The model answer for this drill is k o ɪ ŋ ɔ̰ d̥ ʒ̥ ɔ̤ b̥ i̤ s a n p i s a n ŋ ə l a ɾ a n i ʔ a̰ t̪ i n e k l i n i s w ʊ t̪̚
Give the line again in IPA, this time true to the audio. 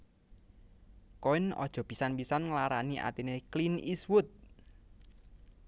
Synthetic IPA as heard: k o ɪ n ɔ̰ d̥ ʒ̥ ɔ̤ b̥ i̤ s a n p i s a n ŋ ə l a ɾ a n i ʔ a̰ t̪ i n e k l i n i s w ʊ t̪̚